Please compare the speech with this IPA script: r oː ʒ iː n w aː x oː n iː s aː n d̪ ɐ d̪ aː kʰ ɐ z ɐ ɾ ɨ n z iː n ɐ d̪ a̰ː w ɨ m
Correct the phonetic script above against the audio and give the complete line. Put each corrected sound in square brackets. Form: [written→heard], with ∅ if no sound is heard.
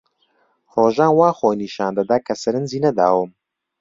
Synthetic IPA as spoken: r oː ʒ [iː→aː] n w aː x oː n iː [s→ʃ] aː n d̪ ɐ d̪ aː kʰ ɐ [z→s] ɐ ɾ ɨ n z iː n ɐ d̪ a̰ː w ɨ m